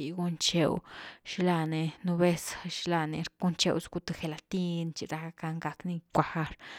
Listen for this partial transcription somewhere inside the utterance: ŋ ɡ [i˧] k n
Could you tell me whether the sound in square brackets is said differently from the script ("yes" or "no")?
yes